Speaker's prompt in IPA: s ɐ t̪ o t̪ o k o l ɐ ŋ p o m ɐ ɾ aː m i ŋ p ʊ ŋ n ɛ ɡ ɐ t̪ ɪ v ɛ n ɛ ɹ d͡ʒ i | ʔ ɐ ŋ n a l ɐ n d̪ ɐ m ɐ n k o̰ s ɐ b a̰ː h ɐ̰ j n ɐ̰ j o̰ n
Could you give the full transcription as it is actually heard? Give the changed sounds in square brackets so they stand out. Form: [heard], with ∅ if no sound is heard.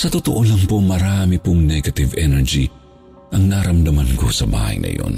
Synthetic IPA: s ɐ t̪ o t̪ o [ʔ] o l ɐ ŋ p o m ɐ ɾ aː m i [∅] p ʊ ŋ n ɛ ɡ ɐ t̪ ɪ v ɛ n ɛ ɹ d͡ʒ i | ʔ ɐ ŋ n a [ɾ] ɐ [m] d̪ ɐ m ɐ n k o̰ s ɐ b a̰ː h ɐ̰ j n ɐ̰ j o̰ n